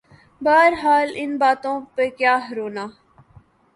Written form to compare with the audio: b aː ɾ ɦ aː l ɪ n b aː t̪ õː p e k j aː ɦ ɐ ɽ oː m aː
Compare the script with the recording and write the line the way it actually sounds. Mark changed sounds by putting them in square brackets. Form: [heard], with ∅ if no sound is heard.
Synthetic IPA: b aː ɾ ɦ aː l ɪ n b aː t̪ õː p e k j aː ɦ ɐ [ɾ] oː [n] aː